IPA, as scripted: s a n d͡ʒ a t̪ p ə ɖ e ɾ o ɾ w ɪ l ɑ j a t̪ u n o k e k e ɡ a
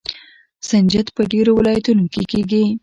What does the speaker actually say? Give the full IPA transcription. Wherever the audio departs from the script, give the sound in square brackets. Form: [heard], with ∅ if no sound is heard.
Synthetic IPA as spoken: s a n d͡ʒ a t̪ p ə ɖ e ɾ o [∅] w ɪ l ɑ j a t̪ u n o k e k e ɡ [i]